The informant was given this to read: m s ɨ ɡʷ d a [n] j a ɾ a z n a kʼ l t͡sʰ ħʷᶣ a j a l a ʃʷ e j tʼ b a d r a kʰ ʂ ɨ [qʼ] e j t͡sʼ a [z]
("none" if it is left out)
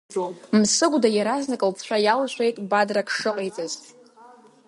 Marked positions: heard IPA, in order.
none, qʼ, z

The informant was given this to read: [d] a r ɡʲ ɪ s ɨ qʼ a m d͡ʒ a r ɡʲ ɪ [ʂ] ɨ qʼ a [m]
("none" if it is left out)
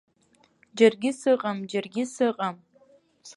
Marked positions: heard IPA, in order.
d͡ʒ, s, m

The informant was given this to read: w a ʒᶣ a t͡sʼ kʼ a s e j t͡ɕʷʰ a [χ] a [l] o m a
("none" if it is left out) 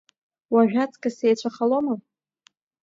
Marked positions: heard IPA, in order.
χ, l

